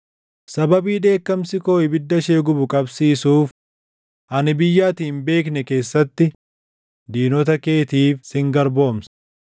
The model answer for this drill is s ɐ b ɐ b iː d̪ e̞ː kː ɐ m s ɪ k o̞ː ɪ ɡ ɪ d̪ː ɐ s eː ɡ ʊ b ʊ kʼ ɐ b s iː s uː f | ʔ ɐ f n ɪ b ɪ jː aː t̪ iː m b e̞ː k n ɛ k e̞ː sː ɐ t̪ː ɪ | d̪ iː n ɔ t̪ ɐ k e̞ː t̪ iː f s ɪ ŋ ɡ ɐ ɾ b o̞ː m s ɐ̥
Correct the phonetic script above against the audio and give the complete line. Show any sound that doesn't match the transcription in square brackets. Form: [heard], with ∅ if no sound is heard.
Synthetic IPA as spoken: s ɐ b ɐ b iː d̪ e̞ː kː ɐ m s ɪ k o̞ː ɪ [b] ɪ d̪ː ɐ [ʃ] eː ɡ ʊ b ʊ kʼ ɐ b s iː s uː f | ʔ ɐ [∅] n ɪ b ɪ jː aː t̪ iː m b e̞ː k n ɛ k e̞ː sː ɐ t̪ː ɪ | d̪ iː n ɔ t̪ ɐ k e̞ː t̪ iː f s ɪ ŋ ɡ ɐ ɾ b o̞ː m s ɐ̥